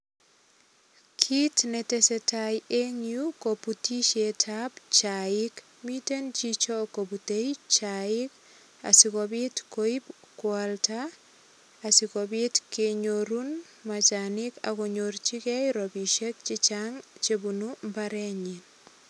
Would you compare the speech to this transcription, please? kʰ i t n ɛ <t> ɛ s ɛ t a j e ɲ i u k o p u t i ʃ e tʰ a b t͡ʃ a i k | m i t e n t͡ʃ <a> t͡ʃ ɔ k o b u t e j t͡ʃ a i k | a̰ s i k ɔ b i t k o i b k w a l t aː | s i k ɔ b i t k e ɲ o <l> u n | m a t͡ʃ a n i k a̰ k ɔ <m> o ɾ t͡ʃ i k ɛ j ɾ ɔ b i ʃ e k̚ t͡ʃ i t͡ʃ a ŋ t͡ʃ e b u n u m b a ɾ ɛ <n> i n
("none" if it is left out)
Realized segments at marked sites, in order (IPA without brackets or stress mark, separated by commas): t, i, ɾ, ɲ, ɲ